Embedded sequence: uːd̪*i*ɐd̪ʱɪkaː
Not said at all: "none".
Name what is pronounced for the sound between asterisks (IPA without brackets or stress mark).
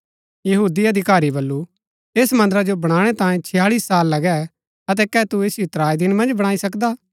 i